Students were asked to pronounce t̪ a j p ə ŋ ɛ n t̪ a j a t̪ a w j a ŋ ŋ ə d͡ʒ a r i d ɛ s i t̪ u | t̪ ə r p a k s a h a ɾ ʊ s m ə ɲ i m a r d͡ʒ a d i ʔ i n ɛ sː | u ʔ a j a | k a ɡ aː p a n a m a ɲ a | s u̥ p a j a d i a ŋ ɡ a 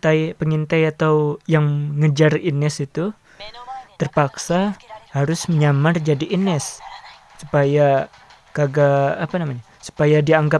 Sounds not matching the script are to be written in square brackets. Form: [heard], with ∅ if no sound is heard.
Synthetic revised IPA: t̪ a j p ə ŋ [i] n t̪ a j a t̪ a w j a ŋ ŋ ə d͡ʒ a r i [n] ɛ s i t̪ u | t̪ ə r p a k s a h a ɾ ʊ s m ə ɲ [a] m a r d͡ʒ a d i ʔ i n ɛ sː | u [p] a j a | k a ɡ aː p a n a m a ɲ a | s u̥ p a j a d i a ŋ ɡ a

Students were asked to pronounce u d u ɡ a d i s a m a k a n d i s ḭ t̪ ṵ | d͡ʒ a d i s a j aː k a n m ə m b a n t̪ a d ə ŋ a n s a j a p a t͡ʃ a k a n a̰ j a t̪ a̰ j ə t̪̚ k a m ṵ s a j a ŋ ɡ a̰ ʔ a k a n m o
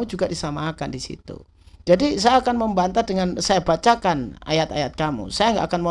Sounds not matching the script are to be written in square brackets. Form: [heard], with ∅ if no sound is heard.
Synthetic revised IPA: u [d͡ʒ] u ɡ a d i s a m a k a n d i s ḭ t̪ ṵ | d͡ʒ a d i s a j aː k a n m ə m b a n t̪ a d ə ŋ a n s a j a [b] a t͡ʃ a k a n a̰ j a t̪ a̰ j [a] t̪̚ k a m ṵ s a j a ŋ ɡ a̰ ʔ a k a n m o

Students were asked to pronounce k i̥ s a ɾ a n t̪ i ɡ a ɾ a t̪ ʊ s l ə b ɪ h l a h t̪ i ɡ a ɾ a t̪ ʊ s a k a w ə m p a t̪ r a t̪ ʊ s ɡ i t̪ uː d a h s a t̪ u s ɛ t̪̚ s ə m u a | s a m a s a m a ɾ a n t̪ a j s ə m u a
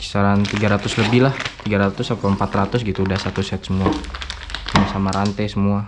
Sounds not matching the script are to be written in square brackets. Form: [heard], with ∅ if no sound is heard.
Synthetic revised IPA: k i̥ s a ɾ a n t̪ i ɡ a ɾ a t̪ ʊ s l ə b ɪ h l a h t̪ i ɡ a ɾ a t̪ ʊ s a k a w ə m p a t̪ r a t̪ ʊ s ɡ i t̪ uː d a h s a t̪ u s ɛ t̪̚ s ə m u a | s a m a s a m a ɾ a n t̪ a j s ə m u a

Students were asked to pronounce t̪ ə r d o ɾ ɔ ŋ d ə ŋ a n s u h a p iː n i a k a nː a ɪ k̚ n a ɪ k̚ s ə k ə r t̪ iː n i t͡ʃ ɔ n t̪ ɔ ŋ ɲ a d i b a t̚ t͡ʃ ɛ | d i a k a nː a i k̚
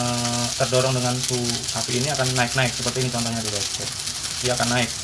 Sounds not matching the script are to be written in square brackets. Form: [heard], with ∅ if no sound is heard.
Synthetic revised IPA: t̪ ə r d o ɾ ɔ ŋ d ə ŋ a n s u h a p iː n i a k a nː a ɪ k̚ n a ɪ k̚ s ə [p] ə r t̪ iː n i t͡ʃ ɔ n t̪ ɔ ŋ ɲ a d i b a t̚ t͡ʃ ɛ | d i a k a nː a [ɪ] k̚

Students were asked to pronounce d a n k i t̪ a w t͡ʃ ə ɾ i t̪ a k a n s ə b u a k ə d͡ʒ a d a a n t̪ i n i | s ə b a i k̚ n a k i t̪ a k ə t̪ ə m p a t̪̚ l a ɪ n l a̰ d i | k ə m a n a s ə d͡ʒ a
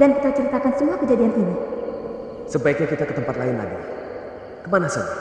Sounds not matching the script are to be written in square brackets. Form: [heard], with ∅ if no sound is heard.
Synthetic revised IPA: d a n k i t̪ a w t͡ʃ ə ɾ i t̪ a k a n s ə [m] u a k ə d͡ʒ a d [i] a n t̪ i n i | s ə b a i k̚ [ɲ] a k i t̪ a k ə t̪ ə m p a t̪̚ l a ɪ n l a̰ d i | k ə m a n a s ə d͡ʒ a

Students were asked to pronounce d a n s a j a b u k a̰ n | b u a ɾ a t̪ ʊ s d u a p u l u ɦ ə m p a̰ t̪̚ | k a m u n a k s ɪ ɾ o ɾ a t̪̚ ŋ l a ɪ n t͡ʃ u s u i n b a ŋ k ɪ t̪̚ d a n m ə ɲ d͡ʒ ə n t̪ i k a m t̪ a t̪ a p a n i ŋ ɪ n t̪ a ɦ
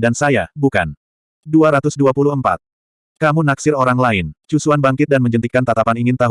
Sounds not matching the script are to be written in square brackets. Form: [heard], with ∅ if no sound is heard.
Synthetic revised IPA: d a n s a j a b u k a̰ n | [d] u a ɾ a t̪ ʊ s d u a p u l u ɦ ə m p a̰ t̪̚ | k a m u n a k s ɪ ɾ o ɾ a [∅] ŋ l a ɪ n t͡ʃ u s u [a] n b a ŋ k ɪ t̪̚ d a n m ə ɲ d͡ʒ ə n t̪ i k a [n] t̪ a t̪ a p a n i ŋ ɪ n t̪ a ɦ

